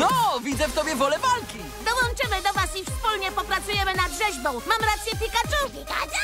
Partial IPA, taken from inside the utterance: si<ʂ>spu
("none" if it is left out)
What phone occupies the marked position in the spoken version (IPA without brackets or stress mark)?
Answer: f